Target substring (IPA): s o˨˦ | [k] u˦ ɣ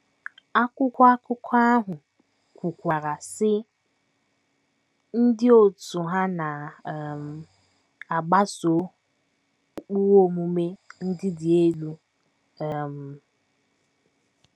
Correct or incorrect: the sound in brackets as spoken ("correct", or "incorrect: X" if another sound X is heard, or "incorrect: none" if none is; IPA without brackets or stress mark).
incorrect: k͡p